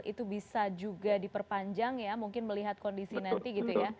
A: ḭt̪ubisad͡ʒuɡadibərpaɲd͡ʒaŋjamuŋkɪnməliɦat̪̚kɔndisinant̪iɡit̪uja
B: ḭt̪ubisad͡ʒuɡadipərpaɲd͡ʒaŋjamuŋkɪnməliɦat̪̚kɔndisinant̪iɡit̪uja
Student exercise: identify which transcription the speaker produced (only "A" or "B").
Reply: B